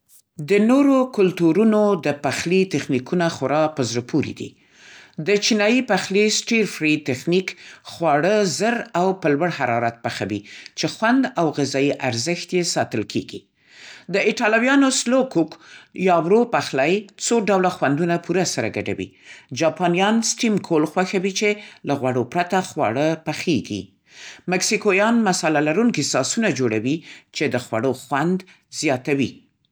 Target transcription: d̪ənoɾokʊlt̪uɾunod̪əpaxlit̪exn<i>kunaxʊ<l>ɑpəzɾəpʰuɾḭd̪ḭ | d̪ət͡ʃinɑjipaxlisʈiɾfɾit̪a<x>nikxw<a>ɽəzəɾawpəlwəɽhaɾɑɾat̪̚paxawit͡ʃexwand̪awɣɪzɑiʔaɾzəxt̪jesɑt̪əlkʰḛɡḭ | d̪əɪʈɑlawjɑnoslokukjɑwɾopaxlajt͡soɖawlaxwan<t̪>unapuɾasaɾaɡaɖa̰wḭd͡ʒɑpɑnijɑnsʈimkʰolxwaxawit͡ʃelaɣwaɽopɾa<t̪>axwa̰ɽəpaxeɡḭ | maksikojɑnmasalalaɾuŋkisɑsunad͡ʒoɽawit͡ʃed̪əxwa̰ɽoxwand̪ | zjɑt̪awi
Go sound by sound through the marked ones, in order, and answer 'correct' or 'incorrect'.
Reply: correct, incorrect: ɾ, correct, incorrect: ɑ, incorrect: d̪, correct

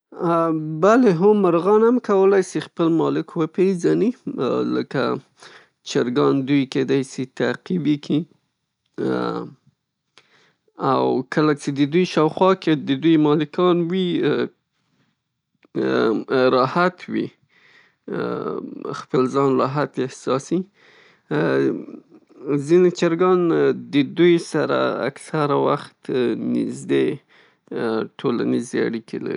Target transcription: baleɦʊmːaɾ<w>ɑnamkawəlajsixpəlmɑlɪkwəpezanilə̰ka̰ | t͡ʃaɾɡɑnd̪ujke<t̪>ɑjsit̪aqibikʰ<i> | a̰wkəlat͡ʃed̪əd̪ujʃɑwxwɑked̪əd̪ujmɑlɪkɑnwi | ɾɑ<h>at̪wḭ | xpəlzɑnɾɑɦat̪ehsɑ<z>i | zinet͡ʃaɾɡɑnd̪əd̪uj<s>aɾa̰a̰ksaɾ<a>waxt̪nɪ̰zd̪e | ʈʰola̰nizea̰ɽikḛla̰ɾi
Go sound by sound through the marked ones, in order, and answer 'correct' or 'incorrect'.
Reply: incorrect: ɣ, incorrect: d̪, correct, correct, incorrect: s, correct, correct

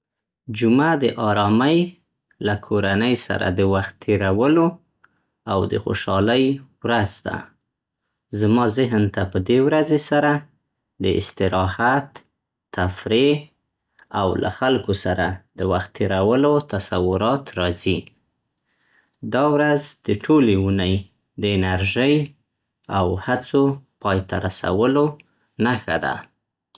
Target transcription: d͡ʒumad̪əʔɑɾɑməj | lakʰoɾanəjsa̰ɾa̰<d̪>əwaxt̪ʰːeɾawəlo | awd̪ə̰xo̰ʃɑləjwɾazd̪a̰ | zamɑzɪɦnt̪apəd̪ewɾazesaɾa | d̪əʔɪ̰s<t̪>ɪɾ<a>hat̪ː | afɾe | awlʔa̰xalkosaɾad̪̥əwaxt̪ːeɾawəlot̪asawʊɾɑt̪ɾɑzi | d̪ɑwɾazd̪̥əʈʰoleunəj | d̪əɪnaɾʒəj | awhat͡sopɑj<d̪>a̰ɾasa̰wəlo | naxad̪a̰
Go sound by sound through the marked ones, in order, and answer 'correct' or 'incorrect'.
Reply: correct, correct, incorrect: ɑ, incorrect: t̪

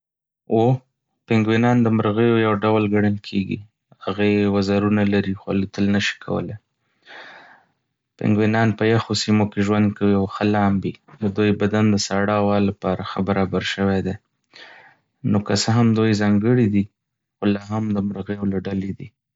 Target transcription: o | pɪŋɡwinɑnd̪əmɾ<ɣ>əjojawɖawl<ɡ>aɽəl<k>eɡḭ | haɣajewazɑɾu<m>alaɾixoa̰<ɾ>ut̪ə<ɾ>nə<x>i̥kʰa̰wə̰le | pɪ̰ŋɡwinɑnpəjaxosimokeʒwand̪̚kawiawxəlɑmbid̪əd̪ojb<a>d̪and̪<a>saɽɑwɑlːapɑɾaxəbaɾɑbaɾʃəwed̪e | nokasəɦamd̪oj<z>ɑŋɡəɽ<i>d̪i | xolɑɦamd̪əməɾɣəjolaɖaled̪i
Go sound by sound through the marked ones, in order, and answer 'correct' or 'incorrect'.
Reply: correct, correct, incorrect: kʰ, incorrect: n, incorrect: l, incorrect: l, incorrect: ʃ, correct, incorrect: ə, correct, correct

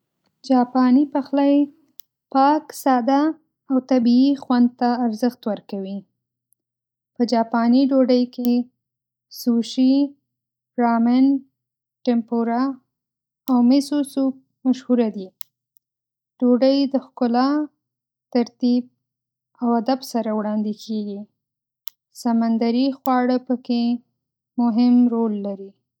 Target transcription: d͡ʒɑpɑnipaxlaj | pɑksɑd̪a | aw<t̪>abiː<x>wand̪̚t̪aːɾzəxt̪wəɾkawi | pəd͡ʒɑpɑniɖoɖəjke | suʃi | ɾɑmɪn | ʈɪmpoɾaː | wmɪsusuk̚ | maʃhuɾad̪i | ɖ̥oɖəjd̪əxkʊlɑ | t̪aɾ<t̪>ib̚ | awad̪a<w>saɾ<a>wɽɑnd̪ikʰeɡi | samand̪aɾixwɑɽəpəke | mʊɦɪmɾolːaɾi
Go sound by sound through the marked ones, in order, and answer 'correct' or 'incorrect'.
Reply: correct, correct, correct, incorrect: b, correct

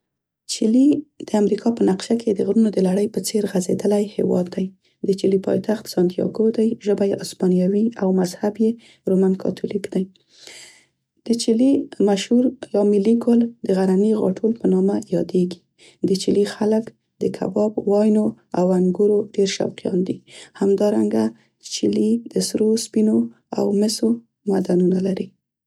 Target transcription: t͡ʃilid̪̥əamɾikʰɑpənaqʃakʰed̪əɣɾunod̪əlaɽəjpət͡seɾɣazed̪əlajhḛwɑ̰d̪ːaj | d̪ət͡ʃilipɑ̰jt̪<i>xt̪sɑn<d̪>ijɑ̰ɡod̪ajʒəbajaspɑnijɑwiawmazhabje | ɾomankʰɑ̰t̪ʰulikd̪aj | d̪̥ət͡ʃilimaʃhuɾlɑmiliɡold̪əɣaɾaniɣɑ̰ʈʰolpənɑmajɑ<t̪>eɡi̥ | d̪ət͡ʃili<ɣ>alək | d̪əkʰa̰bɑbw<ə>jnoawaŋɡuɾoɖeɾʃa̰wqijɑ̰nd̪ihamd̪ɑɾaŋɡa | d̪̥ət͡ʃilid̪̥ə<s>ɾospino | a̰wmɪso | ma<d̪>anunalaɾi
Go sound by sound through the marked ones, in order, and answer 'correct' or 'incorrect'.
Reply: incorrect: a, incorrect: t̪, incorrect: d̪, incorrect: x, incorrect: ɑ, correct, correct

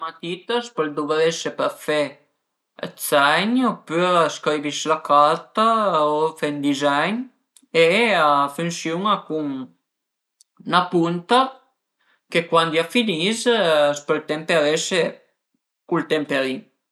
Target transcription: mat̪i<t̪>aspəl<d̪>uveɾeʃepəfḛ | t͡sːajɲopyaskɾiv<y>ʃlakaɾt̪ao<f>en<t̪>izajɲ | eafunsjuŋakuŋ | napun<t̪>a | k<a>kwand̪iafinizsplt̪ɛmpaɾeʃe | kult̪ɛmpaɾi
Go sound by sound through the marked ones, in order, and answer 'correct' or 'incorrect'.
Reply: correct, correct, incorrect: i, correct, incorrect: d̪, correct, incorrect: e

